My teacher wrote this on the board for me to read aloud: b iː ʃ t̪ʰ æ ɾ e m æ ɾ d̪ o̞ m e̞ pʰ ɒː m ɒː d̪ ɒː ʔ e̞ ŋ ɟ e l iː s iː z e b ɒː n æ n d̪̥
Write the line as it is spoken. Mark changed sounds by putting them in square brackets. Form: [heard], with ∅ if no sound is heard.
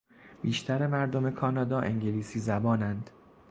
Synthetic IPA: b iː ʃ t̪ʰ æ ɾ e m æ ɾ d̪ o̞ m e̞ [kʰ] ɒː [n] ɒː d̪ ɒː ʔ e̞ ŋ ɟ e l iː s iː z [æ] b ɒː n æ n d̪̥